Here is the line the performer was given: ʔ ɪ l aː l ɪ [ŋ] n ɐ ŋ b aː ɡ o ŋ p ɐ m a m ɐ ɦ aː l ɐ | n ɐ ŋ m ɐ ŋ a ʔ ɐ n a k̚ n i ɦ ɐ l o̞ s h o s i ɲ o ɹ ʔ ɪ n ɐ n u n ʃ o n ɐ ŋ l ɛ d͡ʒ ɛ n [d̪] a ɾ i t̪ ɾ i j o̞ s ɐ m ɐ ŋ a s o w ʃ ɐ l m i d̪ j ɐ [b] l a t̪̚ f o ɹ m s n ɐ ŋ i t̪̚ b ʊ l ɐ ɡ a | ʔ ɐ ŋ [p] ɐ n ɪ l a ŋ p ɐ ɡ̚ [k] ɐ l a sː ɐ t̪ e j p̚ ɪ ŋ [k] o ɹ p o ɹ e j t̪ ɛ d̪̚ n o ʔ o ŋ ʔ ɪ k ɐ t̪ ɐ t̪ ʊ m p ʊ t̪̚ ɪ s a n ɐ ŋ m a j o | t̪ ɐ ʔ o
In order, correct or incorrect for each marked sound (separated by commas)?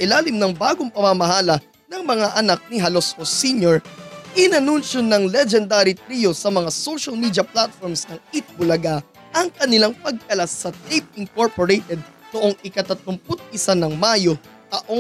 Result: incorrect, correct, incorrect, incorrect, correct, correct